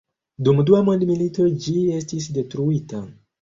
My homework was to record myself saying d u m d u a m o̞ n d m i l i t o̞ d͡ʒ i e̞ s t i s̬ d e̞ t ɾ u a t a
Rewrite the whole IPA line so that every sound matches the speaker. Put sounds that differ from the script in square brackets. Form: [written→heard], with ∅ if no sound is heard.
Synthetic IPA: d u m d u a m o̞ n d m i l i t o̞ d͡ʒ i e̞ s t i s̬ d e̞ t ɾ u [a→i] t a